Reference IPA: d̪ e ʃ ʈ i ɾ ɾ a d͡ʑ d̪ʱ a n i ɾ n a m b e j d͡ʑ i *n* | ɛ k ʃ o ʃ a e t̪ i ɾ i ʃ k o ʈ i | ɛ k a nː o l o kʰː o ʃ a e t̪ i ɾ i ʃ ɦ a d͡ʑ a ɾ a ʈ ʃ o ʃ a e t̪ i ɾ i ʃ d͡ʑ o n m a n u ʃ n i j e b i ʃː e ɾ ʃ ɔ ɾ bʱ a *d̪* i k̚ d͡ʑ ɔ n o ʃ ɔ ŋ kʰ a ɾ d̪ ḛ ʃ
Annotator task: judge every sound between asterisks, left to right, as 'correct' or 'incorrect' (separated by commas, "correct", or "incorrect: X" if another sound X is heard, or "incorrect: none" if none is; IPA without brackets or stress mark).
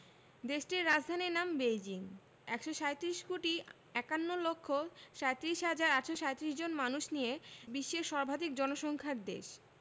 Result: incorrect: ŋ, correct